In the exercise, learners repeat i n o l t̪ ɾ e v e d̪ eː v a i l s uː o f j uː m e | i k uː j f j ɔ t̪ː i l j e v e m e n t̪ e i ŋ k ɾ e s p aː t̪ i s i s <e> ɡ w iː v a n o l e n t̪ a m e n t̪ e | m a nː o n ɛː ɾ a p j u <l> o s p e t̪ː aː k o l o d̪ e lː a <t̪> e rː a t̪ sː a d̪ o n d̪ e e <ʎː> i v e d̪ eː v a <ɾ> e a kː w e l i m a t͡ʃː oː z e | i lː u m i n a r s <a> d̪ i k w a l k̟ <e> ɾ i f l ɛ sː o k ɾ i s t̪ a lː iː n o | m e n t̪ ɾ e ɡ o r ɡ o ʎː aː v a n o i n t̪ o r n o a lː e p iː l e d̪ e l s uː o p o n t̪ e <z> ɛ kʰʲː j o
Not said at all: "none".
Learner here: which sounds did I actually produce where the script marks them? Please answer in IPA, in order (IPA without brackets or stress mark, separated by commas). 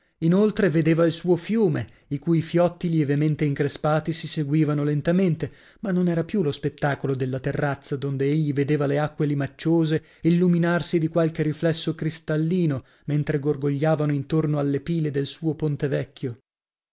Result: e, l, t̪, ʎː, l, i, e, v